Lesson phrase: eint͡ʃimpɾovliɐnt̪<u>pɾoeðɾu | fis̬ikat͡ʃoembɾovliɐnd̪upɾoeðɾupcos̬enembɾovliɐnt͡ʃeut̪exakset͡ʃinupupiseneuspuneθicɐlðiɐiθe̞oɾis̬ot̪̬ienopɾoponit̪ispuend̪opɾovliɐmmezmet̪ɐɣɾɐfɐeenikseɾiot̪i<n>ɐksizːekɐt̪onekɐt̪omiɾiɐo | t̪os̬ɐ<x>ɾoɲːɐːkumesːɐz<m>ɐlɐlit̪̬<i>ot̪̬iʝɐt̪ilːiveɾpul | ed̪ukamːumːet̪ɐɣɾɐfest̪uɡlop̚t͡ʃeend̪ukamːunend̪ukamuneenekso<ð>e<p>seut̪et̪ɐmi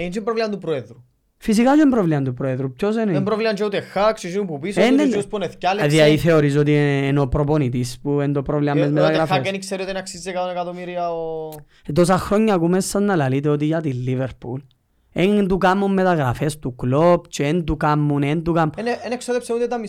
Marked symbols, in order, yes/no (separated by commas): yes, yes, yes, no, no, yes, yes